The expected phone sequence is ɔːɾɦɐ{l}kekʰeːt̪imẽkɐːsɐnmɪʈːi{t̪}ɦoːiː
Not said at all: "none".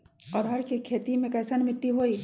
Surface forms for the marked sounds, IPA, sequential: ɾ, none

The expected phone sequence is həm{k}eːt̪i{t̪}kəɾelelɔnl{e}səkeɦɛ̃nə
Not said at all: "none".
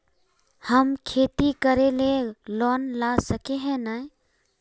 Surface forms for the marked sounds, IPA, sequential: kʰ, none, a

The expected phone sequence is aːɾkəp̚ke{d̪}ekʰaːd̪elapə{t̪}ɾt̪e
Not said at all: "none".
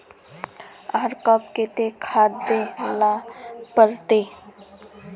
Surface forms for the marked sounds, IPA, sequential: t̪, none

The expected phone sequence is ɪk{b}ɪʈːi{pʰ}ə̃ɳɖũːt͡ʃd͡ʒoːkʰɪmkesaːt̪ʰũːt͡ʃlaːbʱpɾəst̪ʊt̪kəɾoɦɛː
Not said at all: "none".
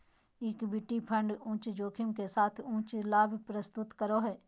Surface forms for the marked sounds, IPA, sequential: b, pʰ

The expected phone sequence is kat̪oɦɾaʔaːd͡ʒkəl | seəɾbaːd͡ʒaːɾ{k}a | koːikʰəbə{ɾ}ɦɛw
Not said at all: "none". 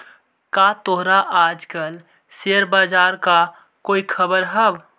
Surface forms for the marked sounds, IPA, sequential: k, ɾ

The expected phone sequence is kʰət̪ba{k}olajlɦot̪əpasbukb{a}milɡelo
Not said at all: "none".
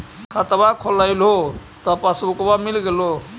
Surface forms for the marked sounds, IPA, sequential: kʰ, a

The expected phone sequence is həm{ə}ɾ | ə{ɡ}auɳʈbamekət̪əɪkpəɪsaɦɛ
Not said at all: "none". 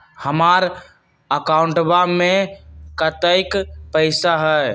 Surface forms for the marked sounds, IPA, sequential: a, k

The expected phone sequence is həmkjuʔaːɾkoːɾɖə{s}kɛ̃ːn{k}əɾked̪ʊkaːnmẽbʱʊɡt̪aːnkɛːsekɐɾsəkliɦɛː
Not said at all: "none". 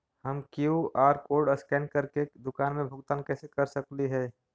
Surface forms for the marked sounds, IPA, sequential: s, k

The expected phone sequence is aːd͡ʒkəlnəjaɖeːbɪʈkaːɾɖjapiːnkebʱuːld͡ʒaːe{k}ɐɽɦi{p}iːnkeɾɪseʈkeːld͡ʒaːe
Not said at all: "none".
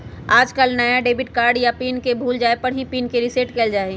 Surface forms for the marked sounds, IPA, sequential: p, p

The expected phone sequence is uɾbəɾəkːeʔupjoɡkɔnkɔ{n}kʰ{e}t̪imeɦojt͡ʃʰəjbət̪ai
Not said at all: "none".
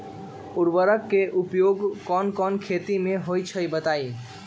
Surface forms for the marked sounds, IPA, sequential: n, e

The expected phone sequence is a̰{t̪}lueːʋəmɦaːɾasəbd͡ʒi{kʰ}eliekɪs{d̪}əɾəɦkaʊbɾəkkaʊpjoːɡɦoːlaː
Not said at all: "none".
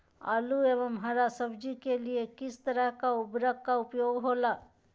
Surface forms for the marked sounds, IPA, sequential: none, k, t̪

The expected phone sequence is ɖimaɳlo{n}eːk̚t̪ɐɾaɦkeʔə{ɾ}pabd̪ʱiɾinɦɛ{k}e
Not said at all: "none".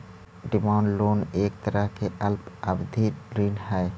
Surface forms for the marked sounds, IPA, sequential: n, l, none

